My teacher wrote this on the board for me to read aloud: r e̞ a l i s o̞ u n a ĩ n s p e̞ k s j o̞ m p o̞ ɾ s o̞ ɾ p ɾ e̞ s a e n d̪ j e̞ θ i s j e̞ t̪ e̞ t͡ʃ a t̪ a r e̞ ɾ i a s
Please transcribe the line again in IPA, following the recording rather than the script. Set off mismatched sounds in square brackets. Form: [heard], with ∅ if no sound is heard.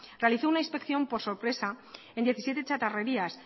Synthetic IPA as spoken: r e̞ a l i [θ] o̞ u n a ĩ n s p e̞ k [θ] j o̞ m p o̞ ɾ s o̞ ɾ p ɾ e̞ s a e n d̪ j e̞ θ i s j e̞ t̪ e̞ t͡ʃ a t̪ a r e̞ ɾ i a s